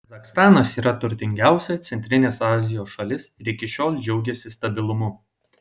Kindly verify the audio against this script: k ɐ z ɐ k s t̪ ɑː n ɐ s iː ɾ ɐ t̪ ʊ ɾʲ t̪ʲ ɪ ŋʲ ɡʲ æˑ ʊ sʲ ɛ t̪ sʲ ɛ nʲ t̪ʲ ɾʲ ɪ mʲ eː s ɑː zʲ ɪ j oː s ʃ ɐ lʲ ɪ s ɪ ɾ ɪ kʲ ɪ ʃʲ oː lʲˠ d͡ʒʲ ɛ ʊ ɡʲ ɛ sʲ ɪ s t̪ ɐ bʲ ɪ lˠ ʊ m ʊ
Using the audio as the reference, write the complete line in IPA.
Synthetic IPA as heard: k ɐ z ɐ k s t̪ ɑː n ɐ s iː ɾ ɐ t̪ ʊ ɾʲ t̪ʲ ɪ ŋʲ ɡʲ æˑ ʊ sʲ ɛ t̪ sʲ ɛ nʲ t̪ʲ ɾʲ ɪ nʲ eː s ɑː zʲ ɪ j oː s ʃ ɐ lʲ ɪ s ɪ ɾ ɪ kʲ ɪ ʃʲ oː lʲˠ d͡ʒʲ ɛ ʊ ɡʲ ɛ sʲ ɪ s t̪ ɐ bʲ ɪ lˠ ʊ m ʊ